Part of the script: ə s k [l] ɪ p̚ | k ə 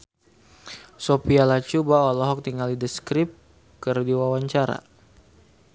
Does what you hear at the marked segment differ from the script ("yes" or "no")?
yes